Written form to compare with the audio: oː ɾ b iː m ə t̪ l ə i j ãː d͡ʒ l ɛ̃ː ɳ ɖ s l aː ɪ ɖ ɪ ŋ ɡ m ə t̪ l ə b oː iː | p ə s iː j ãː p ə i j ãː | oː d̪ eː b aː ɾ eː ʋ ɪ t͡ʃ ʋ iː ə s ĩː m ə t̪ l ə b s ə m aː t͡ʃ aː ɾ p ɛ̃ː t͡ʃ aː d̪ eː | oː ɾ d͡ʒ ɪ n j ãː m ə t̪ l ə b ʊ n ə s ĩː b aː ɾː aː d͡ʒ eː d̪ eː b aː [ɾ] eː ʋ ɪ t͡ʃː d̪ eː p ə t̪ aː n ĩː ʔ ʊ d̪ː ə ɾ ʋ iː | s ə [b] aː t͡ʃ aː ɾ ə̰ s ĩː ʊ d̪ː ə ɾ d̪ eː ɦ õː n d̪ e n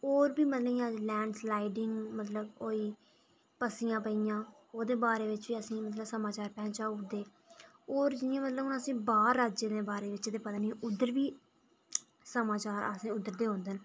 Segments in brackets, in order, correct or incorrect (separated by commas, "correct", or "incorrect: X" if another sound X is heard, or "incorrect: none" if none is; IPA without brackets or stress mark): correct, incorrect: m